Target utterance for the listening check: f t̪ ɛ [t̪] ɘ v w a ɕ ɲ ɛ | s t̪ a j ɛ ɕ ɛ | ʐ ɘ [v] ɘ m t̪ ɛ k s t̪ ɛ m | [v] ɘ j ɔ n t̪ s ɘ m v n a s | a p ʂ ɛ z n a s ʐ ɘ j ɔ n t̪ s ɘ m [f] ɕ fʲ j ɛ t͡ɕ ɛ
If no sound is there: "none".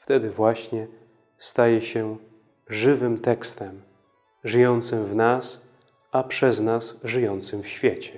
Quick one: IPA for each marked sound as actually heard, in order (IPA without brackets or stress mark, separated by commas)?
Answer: d̪, v, ʐ, f